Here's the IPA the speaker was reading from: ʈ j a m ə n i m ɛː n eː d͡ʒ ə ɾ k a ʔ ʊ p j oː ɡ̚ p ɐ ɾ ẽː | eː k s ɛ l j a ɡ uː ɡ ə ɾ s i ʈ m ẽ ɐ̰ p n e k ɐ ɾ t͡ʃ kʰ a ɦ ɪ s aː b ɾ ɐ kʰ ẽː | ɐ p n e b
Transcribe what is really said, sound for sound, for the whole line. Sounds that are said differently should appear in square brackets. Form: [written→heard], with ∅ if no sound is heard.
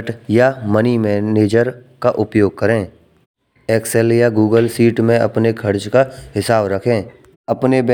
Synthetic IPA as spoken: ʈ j a m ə n i m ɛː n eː d͡ʒ ə ɾ k a ʔ ʊ p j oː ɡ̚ [p→k] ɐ ɾ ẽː | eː k s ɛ l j a ɡ uː ɡ ə [ɾ→l] s [i→iː] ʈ m ẽ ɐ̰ p n e [k→kʰ] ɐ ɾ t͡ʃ [kʰ→k] a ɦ ɪ s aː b ɾ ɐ kʰ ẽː | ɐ p n e b